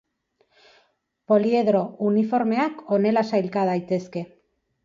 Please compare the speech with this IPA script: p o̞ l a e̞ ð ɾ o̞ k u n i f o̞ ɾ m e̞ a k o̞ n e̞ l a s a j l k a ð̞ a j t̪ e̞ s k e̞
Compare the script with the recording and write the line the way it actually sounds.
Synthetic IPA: p o̞ l i e̞ ð ɾ o̞ u n i f o̞ ɾ m e̞ a k o̞ n e̞ l a s a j l k a ð̞ a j t̪ e̞ s k e̞